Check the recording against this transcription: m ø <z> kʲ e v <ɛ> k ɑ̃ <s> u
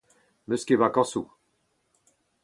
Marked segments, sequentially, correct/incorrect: incorrect, incorrect, correct

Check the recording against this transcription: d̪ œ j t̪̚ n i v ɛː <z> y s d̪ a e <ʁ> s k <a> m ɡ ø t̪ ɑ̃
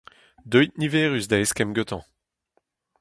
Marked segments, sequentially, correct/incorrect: incorrect, incorrect, incorrect

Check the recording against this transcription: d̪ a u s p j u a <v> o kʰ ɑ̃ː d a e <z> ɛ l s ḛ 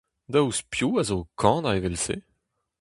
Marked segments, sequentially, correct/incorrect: incorrect, incorrect

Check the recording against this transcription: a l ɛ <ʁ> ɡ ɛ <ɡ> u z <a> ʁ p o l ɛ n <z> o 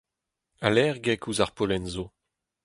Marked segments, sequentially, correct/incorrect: correct, incorrect, correct, correct

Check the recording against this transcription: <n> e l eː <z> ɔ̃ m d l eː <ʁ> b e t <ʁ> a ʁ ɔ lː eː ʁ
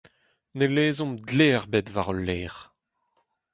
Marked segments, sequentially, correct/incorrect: correct, correct, correct, incorrect

